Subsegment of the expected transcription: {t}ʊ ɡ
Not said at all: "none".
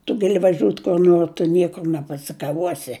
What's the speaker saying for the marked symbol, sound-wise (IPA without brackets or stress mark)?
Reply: t